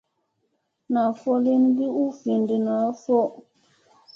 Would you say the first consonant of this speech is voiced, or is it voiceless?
voiced